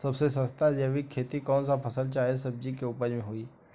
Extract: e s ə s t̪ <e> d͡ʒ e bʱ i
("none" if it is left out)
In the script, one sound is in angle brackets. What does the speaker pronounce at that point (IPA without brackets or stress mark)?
a